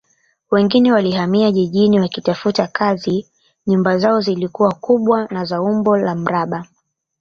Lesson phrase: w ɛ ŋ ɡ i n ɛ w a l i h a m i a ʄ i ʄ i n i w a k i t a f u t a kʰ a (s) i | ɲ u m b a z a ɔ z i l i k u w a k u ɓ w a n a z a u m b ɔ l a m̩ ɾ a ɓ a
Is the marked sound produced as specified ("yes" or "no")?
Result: no